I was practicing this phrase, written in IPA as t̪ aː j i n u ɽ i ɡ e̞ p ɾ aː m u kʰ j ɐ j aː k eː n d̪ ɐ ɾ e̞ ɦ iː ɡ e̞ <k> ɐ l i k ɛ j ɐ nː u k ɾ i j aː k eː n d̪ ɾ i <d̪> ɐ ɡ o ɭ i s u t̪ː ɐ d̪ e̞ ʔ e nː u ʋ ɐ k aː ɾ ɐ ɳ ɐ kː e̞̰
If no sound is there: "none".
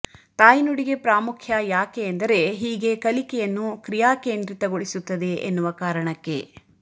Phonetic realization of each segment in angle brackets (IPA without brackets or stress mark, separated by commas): k, t̪